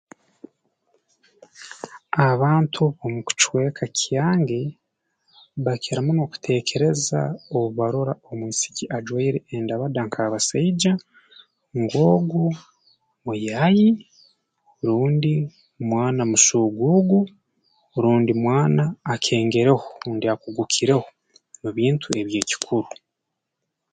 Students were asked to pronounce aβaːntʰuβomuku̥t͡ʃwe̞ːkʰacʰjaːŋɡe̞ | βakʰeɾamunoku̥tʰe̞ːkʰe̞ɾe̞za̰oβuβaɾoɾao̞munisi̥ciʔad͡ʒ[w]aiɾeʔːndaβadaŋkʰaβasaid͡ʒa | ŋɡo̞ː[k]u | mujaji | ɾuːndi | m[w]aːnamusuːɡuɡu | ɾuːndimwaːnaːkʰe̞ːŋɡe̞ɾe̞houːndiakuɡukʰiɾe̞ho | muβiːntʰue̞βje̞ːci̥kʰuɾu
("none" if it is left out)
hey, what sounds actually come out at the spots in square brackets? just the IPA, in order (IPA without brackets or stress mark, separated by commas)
w, ɡ, w